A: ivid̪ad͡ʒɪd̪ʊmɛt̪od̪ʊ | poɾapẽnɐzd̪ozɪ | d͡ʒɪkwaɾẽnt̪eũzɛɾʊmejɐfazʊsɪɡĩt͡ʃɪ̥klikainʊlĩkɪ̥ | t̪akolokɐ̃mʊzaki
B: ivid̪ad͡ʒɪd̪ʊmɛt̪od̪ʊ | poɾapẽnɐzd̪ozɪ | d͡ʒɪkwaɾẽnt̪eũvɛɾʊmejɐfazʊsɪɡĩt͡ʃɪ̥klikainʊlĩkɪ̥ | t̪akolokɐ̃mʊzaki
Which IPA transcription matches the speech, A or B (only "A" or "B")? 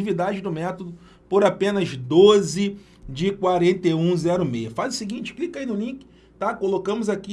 A